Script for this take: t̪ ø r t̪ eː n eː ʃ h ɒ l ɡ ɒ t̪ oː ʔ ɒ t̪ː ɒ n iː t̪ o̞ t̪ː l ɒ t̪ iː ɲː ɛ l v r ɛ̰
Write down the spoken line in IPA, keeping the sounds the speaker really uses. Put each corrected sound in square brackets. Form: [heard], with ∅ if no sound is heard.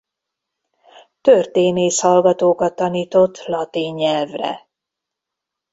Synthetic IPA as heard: t̪ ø r t̪ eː n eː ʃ h ɒ l ɡ ɒ t̪ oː [k] ɒ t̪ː ɒ n iː t̪ o̞ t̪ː l ɒ t̪ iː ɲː ɛ l v r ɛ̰